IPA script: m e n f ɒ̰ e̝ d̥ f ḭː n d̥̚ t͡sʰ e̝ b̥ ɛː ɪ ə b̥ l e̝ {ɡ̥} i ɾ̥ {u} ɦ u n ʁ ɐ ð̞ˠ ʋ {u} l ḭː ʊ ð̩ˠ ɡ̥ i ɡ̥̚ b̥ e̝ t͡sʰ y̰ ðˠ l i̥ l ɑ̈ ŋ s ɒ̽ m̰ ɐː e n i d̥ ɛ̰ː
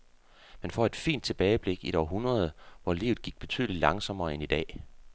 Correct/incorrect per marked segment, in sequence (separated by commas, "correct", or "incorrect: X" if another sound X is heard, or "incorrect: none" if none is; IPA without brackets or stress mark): correct, incorrect: ɒ, incorrect: ɒ